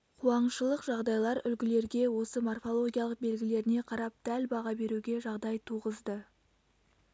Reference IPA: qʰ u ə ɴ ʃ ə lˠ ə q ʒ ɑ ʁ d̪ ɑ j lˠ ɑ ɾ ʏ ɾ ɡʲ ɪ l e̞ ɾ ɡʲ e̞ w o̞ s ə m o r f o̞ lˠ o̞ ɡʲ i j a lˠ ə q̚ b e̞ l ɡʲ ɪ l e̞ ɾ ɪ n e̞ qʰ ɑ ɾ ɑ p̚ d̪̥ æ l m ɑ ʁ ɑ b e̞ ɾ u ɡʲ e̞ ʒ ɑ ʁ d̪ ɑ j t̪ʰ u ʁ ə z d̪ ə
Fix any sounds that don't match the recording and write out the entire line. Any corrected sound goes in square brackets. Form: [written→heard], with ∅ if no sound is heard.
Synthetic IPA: qʰ u [ə→ɑ] ɴ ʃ ə lˠ ə q ʒ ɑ ʁ d̪ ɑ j lˠ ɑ ɾ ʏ [ɾ→l] ɡʲ ɪ l e̞ ɾ ɡʲ e̞ w o̞ s ə m o r f o̞ lˠ o̞ ɡʲ i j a lˠ ə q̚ b e̞ l ɡʲ ɪ l e̞ ɾ ɪ n e̞ qʰ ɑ ɾ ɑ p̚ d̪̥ æ l [m→b] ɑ ʁ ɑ b e̞ ɾ u ɡʲ e̞ ʒ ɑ ʁ d̪ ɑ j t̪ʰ u ʁ ə z d̪ ə